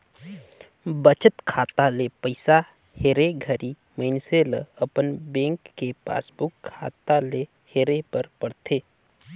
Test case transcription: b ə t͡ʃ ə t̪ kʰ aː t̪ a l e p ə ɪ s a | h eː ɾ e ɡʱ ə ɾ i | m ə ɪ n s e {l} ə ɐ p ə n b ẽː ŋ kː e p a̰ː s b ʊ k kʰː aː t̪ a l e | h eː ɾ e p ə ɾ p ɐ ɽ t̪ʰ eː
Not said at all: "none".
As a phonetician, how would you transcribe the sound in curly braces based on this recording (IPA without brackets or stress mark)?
l